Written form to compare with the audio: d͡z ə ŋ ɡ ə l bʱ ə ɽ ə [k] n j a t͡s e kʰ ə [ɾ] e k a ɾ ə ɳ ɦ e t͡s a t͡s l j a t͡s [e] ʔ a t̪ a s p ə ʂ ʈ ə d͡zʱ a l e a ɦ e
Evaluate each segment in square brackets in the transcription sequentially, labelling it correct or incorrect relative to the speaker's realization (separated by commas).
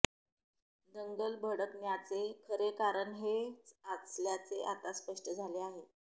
correct, correct, correct